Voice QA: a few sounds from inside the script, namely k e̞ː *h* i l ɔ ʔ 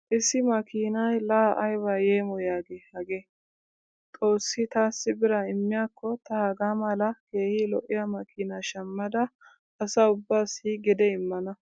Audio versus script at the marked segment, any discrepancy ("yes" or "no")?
no